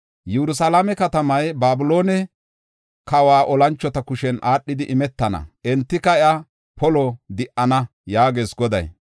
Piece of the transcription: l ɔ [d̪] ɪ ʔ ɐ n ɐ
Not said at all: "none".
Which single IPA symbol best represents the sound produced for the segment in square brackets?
d̪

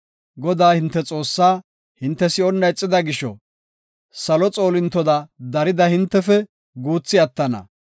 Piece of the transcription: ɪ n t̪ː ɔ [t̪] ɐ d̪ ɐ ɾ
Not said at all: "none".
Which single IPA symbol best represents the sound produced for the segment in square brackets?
d̪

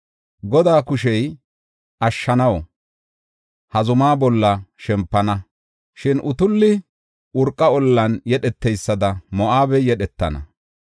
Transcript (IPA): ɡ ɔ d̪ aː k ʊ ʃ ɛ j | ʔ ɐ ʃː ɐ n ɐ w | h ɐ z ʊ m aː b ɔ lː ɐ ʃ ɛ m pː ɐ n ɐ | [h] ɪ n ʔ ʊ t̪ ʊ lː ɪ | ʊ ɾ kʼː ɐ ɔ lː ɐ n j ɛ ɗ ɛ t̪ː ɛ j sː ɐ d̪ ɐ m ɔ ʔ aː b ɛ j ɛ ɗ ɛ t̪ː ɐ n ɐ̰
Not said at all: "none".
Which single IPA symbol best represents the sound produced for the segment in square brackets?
ʃ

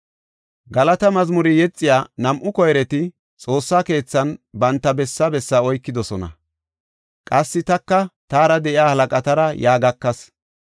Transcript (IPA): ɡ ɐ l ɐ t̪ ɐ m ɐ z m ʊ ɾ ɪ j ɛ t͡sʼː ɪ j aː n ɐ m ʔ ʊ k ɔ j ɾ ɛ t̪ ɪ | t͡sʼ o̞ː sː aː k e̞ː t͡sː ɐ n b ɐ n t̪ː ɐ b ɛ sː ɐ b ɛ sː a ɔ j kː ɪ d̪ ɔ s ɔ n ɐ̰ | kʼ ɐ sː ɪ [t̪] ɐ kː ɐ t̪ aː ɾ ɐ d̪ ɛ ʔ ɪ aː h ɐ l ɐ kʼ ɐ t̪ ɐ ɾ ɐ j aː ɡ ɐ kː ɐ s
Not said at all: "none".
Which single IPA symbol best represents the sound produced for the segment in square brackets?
t̪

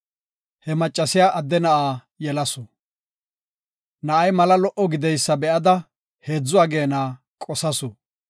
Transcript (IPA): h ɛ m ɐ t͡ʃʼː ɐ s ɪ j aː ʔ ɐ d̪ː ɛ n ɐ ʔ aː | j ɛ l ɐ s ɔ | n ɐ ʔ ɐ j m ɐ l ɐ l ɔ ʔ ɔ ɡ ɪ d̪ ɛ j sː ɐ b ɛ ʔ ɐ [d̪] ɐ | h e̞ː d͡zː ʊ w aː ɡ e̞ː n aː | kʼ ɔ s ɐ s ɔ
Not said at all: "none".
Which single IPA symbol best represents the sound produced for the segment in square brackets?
d̪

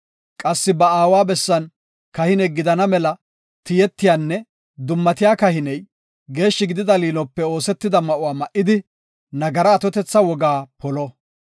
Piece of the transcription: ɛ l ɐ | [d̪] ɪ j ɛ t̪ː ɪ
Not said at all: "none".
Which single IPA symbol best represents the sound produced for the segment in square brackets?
t̪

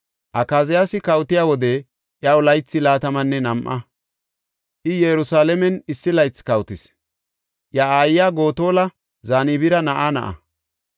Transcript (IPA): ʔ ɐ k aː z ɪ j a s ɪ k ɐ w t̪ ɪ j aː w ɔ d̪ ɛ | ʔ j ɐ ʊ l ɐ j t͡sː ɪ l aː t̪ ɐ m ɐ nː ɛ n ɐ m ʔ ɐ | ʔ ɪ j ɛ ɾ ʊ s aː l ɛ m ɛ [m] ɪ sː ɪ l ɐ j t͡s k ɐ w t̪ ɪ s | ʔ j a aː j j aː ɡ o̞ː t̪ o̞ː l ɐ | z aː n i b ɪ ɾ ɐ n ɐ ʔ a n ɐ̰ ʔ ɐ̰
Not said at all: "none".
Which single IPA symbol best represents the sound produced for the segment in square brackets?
n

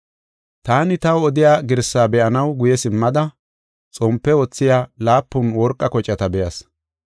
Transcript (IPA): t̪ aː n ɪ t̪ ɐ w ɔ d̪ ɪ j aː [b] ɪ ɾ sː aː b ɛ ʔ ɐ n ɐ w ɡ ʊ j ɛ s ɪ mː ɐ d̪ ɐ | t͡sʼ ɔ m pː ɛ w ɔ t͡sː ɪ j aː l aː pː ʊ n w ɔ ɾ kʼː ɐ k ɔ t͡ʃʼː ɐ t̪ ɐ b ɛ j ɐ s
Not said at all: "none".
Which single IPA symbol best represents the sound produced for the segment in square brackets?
ɡ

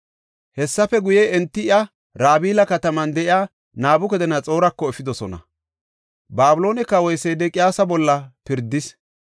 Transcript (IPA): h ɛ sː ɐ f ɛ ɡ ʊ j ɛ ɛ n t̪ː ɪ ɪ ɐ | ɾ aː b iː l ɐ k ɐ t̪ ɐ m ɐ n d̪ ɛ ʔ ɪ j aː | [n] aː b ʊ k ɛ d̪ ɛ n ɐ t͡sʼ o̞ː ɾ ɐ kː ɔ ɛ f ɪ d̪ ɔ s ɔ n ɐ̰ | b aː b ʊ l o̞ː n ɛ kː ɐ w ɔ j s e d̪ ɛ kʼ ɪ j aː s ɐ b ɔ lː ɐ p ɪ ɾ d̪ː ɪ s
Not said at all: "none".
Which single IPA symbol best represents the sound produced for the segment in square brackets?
n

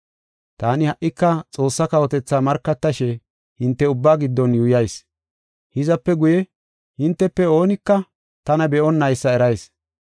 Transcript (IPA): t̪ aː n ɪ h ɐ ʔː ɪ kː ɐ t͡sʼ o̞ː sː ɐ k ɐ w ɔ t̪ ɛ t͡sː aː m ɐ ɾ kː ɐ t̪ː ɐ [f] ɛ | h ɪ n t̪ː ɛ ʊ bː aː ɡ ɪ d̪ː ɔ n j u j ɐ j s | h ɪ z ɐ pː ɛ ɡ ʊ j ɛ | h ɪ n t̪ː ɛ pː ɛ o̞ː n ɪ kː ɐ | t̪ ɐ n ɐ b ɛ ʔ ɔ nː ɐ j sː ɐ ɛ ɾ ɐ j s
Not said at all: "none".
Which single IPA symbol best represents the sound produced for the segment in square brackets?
ʃ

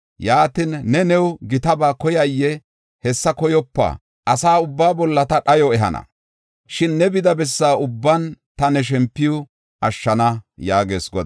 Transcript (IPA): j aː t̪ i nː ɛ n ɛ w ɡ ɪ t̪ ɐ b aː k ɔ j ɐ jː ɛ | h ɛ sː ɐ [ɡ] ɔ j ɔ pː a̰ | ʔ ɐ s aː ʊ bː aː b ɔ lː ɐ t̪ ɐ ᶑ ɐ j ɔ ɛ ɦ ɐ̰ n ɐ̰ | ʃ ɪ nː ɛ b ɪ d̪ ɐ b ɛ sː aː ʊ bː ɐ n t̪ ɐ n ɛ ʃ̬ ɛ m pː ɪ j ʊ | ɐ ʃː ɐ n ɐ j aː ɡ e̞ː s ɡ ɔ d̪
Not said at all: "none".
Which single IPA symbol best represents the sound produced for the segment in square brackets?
k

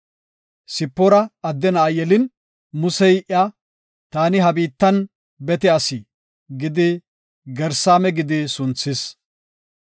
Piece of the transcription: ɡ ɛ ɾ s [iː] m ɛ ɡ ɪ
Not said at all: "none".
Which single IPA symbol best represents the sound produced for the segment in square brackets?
aː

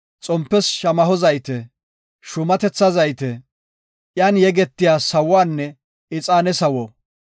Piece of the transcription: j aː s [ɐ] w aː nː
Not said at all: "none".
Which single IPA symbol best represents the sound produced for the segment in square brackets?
ɐ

